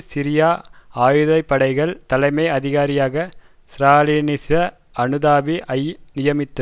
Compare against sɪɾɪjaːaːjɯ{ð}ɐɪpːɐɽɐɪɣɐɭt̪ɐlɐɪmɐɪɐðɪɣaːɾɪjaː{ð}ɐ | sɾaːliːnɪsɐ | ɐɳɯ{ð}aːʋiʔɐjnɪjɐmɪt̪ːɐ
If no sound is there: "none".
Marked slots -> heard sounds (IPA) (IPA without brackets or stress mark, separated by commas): ð, ɣ, ð